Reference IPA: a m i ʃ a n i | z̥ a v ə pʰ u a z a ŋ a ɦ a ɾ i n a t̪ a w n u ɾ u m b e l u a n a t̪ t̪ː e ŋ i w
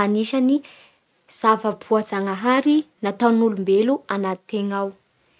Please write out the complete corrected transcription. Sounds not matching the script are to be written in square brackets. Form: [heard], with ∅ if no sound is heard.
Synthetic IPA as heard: a [n] i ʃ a n i | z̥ a v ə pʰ u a z a ŋ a ɦ a ɾ i n a t̪ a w n u [l] u m b e l u a n a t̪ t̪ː e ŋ [a] w

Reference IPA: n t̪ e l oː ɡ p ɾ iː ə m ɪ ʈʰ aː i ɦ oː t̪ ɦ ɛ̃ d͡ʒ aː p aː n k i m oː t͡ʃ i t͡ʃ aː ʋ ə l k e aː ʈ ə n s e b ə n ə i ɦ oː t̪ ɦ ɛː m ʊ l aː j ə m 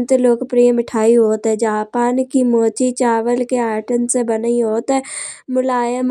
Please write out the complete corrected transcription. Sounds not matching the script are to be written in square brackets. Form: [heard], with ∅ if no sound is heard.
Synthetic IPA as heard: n t̪ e l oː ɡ p ɾ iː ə m ɪ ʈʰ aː i ɦ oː t̪ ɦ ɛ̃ d͡ʒ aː p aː n k i m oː t͡ʃ i t͡ʃ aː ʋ ə l k e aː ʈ ə n s e b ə n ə i ɦ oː t̪ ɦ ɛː m ʊ l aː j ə m

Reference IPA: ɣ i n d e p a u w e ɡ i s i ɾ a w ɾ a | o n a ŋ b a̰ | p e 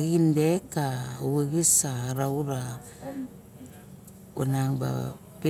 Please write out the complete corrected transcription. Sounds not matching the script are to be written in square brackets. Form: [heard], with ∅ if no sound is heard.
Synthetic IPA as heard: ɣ i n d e [k] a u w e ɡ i s [a] ɾ a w ɾ a | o n a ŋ b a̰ | p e

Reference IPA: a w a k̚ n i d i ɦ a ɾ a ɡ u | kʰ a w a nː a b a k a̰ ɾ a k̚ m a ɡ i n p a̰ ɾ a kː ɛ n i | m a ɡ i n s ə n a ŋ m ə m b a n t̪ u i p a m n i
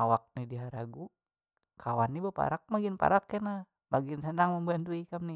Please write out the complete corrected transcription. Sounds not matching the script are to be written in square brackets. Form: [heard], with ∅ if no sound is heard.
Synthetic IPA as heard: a w a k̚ n i d i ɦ a ɾ a ɡ u | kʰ a w a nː [i] b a [p] a̰ ɾ a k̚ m a ɡ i n p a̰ ɾ a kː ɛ n [a] | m a ɡ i n s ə n a ŋ m ə m b a n t̪ u i [k] a m n i

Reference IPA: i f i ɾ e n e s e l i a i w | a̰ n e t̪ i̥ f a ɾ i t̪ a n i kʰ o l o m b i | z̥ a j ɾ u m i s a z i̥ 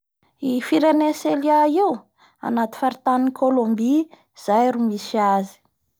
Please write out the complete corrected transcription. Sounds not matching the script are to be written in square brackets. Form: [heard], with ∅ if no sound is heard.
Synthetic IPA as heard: i f i ɾ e n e s e l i a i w | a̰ n [a] t̪ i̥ f a ɾ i t̪ a n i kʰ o l o m b i | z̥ a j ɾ u m i s a z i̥

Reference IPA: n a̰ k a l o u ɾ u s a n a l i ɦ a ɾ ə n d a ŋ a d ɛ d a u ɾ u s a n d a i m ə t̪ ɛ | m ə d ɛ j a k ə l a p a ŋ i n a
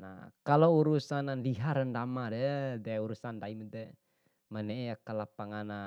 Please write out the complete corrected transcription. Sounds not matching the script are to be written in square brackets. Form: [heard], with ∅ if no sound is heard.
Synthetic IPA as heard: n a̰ k a l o u ɾ u s a n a l i ɦ a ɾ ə n d a [m] a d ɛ d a u ɾ u s a n d a i m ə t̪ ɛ | m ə [n] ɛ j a k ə l a p a ŋ [a] n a

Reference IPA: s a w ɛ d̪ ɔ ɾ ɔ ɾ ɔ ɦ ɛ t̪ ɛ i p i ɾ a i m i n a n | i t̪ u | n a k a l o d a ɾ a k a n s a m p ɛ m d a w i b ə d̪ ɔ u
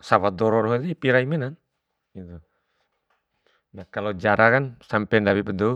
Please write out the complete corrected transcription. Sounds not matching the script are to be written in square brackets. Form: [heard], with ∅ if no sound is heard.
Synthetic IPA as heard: s a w [a] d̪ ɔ ɾ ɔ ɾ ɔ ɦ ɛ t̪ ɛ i p i ɾ a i m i n a n | i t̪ u | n a k a l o [d͡ʒ] a ɾ a k a n s a m p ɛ [n] d a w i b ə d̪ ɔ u

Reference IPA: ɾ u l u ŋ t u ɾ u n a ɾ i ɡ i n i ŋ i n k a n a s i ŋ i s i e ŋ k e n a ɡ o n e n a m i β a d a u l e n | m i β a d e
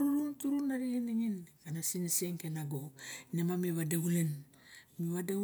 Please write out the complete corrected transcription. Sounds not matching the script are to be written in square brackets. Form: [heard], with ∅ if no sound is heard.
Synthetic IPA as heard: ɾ u l u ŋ t u ɾ u n a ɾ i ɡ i n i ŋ i n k a n a s i [n] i s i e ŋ k e n a ɡ o n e [m] a m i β a d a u l e n | m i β a d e

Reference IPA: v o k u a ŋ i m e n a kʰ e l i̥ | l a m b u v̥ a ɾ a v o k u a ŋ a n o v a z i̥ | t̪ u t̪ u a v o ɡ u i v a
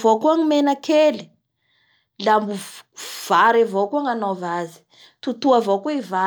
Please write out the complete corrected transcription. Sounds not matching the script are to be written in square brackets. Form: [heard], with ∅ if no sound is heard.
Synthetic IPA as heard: v o k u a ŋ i m e n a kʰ e l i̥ | l a m b u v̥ a ɾ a v o k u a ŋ a n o v a z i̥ | t̪ u t̪ u a v o [k] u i v a

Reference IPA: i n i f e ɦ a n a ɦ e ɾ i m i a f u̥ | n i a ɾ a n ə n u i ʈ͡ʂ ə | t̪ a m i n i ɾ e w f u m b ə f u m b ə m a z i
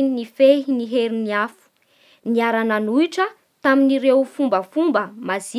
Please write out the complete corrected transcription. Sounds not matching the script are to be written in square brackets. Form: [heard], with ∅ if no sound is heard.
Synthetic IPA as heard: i n i f e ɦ [i] n [i] ɦ e ɾ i [n] i a f u̥ | n i a ɾ a n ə n u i ʈ͡ʂ ə | t̪ a m i n i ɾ e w f u m b ə f u m b ə m a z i

